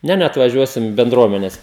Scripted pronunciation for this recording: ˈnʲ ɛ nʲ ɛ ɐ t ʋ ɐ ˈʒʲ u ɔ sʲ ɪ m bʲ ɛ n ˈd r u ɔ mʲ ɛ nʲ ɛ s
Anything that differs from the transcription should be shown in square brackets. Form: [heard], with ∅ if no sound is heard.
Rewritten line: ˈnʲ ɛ nʲ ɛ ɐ t ʋ ɐ ˈʒʲ u ɔ sʲ ɪ m bʲ ɛ n ˈd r u ɔ mʲ ɛ nʲ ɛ s